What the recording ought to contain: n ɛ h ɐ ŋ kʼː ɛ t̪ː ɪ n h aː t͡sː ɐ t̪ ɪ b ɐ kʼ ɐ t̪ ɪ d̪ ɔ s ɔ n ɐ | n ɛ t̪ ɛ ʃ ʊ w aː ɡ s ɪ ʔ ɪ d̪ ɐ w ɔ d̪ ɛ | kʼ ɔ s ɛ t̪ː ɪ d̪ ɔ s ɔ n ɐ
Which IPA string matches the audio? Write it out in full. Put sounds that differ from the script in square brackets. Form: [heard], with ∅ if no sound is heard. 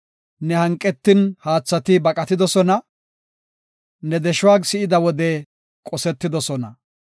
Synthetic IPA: n ɛ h ɐ ŋ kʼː ɛ t̪ː ɪ n h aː t͡sː ɐ t̪ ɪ b ɐ kʼ ɐ t̪ ɪ d̪ ɔ s ɔ n ɐ | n ɛ [d̪] ɛ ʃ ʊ w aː ɡ s ɪ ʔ ɪ d̪ ɐ w ɔ d̪ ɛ | kʼ ɔ s ɛ t̪ː ɪ d̪ ɔ s ɔ n ɐ